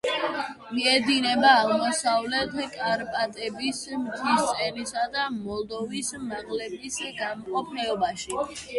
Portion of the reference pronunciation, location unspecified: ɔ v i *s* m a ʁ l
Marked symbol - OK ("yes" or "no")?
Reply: yes